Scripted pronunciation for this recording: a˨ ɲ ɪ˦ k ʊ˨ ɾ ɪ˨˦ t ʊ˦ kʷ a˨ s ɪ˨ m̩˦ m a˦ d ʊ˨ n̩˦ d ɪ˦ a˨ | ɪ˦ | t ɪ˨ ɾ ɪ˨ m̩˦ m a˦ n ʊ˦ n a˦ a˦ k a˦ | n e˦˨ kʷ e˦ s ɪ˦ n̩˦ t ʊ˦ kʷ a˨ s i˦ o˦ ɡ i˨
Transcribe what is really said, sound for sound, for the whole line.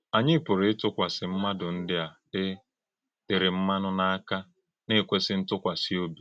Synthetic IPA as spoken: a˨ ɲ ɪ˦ p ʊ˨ ɾ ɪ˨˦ t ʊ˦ kʷ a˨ s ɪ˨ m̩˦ m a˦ d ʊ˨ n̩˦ d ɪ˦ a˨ | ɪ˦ | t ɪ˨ ɾ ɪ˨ m̩˦ m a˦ n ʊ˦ n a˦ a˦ k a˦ | n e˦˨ kʷ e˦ s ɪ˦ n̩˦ t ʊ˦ kʷ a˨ s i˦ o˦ b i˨